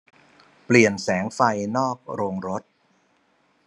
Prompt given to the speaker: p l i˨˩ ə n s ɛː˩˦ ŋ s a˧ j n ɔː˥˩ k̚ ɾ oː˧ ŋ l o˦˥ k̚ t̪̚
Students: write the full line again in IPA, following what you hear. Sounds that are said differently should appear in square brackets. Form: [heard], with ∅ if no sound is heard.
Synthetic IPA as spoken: p l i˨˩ ə n s ɛː˩˦ ŋ [f] a˧ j n ɔː˥˩ k̚ ɾ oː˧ ŋ [ɾ] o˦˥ [∅] t̪̚